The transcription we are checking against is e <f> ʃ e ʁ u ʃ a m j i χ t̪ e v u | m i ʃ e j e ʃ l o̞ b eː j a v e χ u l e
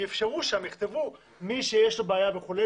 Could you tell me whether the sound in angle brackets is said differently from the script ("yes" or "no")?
no